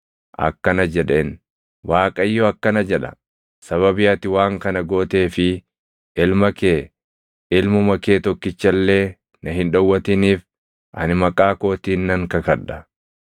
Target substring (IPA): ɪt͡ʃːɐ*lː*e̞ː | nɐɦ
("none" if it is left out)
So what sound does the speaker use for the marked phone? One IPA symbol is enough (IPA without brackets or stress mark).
lː